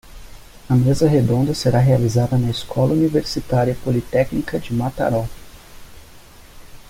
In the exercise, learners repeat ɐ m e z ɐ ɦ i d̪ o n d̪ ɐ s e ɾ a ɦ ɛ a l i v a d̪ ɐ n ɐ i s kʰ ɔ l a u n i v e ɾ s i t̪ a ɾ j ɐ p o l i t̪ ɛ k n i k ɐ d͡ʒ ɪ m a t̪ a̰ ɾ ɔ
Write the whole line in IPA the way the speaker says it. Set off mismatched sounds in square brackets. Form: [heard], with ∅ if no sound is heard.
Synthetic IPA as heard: ɐ m e z ɐ ɦ [e] d̪ [õ] n d̪ ɐ s e ɾ a ɦ [e] a l i [z] a d̪ ɐ n ɐ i s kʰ ɔ l [ɐ] u n i v e ɾ s i t̪ a ɾ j ɐ p o l i t̪ ɛ k n i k ɐ d͡ʒ ɪ m a t̪ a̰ ɾ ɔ